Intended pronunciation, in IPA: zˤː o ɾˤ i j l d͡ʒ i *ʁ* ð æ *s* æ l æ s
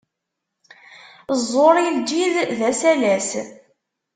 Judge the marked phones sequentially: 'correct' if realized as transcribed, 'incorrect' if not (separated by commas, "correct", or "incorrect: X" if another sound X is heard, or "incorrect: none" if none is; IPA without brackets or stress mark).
incorrect: ð, correct